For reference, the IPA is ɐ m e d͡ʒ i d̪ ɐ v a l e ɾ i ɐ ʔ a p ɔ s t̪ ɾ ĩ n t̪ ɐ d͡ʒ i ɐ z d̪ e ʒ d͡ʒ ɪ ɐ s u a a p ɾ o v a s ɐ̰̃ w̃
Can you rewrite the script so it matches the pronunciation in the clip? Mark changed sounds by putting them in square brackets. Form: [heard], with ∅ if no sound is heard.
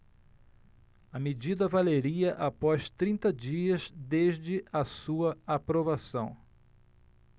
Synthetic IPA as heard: ɐ m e d͡ʒ i d̪ ɐ v a l e ɾ i ɐ ʔ a p ɔ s t̪ ɾ ĩ n t̪ ɐ d͡ʒ i ɐ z d̪ e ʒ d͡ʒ ɪ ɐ s u [ɐ] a p ɾ o v a s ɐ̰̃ w̃